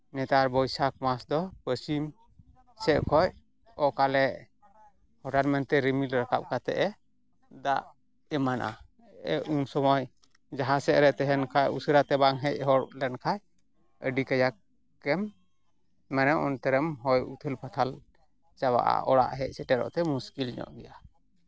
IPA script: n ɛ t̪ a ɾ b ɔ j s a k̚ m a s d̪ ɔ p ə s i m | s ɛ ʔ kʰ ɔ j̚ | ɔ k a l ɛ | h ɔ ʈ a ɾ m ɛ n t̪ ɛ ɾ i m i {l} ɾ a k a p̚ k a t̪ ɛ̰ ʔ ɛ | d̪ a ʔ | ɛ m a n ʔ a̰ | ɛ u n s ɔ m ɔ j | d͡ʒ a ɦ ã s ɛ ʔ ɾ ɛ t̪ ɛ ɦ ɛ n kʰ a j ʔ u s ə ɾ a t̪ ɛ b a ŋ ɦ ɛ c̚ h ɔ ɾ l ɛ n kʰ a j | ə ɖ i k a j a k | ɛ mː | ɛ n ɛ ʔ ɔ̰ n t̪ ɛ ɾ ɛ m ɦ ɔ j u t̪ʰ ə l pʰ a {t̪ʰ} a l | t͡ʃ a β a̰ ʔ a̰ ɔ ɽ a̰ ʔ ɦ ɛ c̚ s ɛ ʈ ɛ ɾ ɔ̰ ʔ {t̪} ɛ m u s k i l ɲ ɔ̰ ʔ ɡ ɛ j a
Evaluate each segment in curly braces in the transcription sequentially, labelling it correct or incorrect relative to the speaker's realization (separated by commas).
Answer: correct, correct, correct